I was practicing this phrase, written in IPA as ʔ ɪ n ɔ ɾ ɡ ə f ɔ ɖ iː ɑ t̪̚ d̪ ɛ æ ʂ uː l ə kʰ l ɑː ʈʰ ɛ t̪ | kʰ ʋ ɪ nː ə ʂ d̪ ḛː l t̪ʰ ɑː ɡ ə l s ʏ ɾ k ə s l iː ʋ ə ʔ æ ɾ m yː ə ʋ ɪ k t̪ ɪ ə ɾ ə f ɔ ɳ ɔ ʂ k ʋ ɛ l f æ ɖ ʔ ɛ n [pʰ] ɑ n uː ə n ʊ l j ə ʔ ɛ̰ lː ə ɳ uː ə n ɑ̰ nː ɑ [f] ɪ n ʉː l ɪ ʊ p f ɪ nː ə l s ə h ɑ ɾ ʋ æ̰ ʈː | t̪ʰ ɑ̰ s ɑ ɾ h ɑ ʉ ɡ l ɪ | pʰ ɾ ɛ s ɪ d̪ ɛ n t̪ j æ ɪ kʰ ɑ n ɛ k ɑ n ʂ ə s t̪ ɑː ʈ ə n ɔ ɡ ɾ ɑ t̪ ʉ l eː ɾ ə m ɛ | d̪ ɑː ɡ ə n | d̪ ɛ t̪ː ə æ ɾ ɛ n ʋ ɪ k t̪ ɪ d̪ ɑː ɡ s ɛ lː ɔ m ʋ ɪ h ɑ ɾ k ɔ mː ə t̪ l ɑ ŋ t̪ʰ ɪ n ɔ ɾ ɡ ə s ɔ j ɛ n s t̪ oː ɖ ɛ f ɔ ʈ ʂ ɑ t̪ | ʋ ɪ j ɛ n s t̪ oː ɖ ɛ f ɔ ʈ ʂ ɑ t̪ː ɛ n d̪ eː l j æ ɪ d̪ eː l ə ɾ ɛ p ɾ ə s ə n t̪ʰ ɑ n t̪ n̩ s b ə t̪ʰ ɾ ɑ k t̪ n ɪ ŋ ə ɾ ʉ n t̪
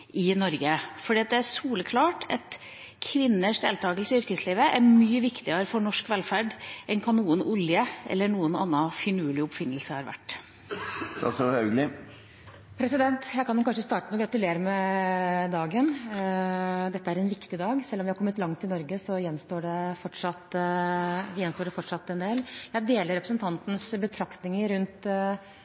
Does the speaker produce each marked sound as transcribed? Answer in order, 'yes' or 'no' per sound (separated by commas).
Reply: no, yes